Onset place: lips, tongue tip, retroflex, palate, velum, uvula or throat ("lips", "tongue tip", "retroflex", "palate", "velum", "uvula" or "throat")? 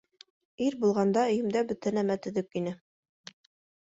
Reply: tongue tip